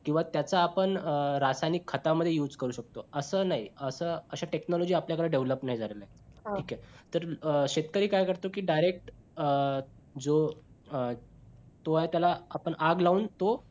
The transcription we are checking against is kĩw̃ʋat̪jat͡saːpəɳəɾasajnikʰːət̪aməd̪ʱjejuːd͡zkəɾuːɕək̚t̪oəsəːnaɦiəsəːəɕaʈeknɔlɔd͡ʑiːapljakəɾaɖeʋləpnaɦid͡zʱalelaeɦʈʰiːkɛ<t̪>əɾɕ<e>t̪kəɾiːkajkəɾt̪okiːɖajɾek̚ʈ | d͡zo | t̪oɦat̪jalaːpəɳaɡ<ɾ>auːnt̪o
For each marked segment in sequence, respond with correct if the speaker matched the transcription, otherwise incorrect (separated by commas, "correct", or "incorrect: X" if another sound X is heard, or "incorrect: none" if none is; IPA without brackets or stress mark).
correct, correct, incorrect: l